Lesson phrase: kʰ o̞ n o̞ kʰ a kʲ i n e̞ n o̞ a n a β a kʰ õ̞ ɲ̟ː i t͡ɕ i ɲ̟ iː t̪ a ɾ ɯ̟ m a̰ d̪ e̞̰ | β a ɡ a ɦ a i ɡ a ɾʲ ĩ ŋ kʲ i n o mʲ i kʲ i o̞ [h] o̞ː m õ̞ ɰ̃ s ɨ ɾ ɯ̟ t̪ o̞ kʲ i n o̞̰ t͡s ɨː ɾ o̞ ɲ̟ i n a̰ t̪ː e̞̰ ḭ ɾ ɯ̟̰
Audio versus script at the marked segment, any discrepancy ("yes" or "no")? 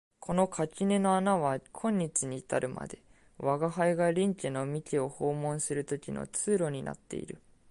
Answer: no